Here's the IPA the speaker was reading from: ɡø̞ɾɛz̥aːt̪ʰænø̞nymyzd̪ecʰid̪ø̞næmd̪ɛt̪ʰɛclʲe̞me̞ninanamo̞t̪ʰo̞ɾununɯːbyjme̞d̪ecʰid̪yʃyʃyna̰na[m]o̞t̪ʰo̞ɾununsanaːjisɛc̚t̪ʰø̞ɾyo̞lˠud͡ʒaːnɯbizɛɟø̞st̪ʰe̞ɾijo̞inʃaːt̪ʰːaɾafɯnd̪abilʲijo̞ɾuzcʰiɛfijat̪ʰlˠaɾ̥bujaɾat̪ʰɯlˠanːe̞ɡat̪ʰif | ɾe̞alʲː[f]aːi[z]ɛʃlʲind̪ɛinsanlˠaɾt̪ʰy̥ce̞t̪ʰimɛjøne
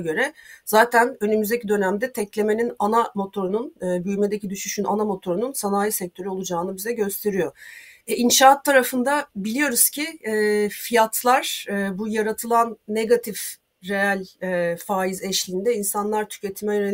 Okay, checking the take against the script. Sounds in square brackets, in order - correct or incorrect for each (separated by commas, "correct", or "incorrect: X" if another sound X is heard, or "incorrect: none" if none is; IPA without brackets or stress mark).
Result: correct, correct, correct